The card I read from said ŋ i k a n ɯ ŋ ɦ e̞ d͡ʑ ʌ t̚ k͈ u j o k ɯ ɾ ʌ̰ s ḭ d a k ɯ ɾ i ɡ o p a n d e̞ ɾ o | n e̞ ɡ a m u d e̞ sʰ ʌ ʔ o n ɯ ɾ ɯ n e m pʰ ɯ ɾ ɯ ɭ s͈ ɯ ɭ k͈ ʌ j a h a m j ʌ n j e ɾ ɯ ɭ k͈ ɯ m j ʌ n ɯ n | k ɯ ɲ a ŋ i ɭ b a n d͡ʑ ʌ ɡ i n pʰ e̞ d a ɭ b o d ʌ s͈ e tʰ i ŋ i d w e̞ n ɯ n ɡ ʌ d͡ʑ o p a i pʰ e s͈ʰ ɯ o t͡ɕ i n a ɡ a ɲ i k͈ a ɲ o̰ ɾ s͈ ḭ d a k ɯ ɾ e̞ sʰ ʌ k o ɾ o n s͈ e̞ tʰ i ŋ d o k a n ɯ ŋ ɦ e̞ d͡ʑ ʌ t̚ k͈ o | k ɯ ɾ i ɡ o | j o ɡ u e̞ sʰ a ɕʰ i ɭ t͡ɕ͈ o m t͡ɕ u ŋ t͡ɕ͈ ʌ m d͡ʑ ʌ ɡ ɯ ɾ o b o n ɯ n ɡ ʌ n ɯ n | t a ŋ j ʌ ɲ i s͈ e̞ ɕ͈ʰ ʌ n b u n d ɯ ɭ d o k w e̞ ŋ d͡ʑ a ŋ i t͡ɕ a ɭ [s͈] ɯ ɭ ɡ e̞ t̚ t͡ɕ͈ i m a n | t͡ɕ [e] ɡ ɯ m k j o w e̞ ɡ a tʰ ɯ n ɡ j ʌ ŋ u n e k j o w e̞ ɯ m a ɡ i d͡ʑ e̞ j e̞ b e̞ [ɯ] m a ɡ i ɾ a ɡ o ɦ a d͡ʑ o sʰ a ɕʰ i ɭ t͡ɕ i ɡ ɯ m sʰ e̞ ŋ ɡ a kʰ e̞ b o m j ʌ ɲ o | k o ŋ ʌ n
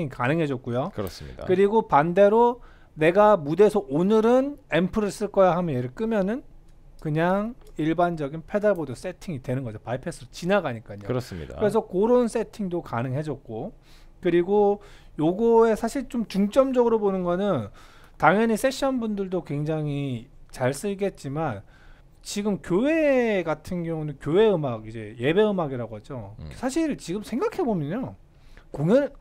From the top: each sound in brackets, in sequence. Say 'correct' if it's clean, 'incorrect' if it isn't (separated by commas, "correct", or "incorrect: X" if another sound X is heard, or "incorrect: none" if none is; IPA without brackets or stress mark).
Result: correct, incorrect: i, correct